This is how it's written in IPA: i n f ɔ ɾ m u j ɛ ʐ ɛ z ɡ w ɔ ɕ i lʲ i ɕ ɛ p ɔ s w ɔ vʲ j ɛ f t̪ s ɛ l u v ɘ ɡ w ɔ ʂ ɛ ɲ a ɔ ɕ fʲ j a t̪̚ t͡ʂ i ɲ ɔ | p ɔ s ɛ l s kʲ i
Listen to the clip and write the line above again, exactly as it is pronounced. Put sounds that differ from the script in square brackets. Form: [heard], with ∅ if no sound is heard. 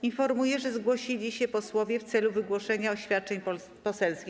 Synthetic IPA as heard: i n f ɔ ɾ m u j ɛ ʐ ɛ z ɡ w ɔ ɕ i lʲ i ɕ ɛ p ɔ s w ɔ vʲ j ɛ f t̪ s ɛ l u v ɘ ɡ w ɔ ʂ ɛ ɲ a ɔ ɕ fʲ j a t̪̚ t͡ʂ [ɛ] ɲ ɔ | p ɔ s ɛ l s kʲ i